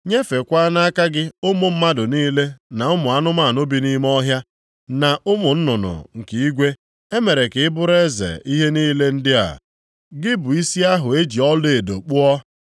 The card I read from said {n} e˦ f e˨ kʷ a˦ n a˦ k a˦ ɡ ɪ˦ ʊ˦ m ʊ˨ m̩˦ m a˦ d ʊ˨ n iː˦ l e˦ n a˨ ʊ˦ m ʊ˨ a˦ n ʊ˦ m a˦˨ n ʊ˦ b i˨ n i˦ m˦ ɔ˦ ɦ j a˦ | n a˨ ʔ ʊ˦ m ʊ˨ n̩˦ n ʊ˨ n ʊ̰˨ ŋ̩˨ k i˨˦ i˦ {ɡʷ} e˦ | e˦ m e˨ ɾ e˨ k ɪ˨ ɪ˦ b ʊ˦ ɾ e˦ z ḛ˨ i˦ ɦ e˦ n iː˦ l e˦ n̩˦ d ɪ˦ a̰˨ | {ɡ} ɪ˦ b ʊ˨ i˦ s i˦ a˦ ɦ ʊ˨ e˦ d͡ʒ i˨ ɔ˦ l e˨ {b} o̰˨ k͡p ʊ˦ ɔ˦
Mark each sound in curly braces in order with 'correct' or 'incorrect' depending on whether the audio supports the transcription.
incorrect: ɲ, correct, correct, incorrect: d

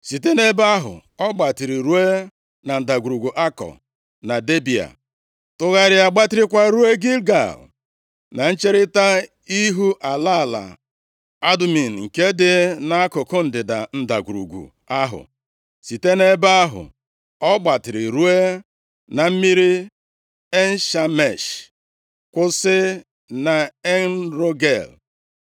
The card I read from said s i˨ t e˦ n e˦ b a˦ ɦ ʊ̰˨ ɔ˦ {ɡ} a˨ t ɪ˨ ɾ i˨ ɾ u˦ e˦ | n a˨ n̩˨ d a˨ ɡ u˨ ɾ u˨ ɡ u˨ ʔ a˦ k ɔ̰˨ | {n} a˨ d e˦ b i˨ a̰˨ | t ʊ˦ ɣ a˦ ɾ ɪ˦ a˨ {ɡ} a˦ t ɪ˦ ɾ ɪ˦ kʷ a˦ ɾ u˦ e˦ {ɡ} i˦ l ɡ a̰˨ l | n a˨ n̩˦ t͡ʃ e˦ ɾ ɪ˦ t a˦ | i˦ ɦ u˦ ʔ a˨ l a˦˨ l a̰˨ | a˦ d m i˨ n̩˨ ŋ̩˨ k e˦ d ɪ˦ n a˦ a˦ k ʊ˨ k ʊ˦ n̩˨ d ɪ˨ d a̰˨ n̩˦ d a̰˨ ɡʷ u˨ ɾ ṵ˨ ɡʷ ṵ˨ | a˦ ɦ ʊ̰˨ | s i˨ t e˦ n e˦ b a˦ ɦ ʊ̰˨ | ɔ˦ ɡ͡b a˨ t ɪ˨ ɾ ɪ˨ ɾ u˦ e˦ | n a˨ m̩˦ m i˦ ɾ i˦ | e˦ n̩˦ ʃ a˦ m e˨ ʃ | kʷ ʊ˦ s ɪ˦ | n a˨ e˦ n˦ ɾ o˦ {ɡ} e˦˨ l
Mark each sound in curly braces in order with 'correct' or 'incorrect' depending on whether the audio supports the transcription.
incorrect: ɡ͡b, correct, incorrect: ɡ͡b, correct, correct

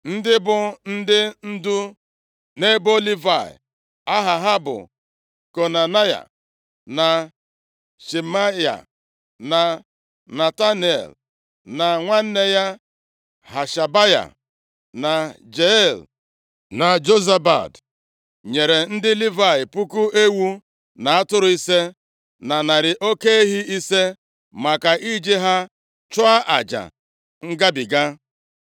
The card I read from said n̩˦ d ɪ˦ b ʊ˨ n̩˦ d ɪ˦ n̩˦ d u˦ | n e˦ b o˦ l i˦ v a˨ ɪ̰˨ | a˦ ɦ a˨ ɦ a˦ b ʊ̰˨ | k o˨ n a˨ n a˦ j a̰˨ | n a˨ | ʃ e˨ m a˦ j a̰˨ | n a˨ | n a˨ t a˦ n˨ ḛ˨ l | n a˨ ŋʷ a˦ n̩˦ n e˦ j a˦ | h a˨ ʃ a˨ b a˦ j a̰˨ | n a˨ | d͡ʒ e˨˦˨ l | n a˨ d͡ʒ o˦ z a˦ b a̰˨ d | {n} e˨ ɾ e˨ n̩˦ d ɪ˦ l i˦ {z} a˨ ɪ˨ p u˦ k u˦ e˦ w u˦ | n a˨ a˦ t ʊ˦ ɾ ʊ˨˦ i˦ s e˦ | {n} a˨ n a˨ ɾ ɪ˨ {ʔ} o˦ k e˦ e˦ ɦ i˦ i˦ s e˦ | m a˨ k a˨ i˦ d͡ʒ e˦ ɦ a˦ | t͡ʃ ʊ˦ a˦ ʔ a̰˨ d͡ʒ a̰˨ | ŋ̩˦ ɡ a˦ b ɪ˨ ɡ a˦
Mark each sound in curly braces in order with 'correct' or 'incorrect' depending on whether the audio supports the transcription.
incorrect: ɲ, incorrect: v, correct, correct

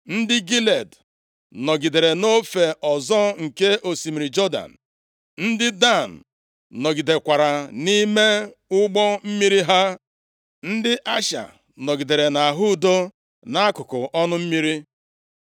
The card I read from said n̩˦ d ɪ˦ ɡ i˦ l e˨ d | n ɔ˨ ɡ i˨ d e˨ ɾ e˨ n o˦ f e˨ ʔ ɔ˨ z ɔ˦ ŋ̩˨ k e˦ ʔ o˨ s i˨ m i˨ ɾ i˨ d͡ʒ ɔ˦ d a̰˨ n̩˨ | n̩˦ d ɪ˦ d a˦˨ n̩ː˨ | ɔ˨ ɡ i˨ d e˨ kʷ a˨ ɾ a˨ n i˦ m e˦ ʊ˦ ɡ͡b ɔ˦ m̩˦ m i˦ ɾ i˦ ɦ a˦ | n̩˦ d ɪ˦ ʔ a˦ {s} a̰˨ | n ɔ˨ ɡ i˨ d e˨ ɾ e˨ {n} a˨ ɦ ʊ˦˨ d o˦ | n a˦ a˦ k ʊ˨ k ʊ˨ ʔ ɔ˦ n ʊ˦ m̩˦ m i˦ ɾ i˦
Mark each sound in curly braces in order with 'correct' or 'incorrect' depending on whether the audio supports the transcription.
incorrect: ʃ, correct

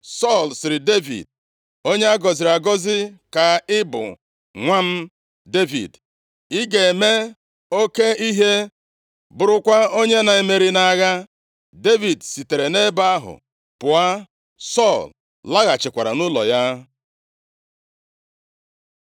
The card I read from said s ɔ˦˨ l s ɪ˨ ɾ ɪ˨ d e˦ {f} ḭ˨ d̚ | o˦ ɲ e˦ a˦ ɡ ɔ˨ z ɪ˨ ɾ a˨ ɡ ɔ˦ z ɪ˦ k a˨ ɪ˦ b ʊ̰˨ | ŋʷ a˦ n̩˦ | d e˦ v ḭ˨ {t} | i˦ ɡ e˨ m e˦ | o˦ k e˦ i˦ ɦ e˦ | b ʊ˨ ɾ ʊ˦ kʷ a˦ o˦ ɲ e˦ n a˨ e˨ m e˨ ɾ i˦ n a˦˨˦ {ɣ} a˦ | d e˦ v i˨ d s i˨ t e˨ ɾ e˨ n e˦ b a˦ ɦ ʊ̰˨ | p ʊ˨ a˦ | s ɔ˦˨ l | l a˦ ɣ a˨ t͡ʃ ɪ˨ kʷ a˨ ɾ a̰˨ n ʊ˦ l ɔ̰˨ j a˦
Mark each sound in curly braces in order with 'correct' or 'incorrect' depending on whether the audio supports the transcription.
incorrect: v, incorrect: d, correct

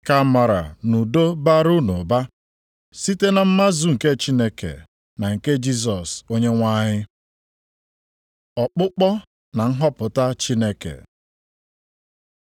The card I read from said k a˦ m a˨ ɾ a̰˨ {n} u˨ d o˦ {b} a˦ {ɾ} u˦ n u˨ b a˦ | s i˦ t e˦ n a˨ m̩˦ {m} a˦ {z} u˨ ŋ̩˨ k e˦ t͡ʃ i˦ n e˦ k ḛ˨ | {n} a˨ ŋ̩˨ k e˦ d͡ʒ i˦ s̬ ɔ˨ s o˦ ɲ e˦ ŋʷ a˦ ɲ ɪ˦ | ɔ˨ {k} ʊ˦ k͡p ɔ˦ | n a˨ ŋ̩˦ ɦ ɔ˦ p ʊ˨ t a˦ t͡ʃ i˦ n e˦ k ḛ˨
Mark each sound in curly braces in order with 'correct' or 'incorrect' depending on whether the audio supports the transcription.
correct, correct, correct, correct, correct, correct, incorrect: k͡p

